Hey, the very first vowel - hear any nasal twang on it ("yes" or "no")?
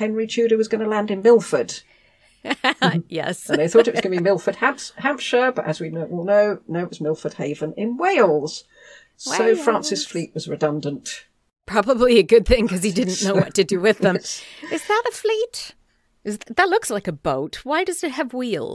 yes